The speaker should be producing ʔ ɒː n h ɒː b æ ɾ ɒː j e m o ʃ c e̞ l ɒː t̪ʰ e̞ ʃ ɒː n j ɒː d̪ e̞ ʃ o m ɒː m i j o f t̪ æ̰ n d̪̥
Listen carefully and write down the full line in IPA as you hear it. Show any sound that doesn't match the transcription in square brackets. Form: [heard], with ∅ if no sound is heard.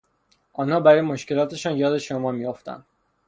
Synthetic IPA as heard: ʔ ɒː n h ɒː b æ ɾ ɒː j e m o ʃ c e̞ l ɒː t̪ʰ e̞ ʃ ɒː n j ɒː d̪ e̞ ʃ o m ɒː m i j o f t̪ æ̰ n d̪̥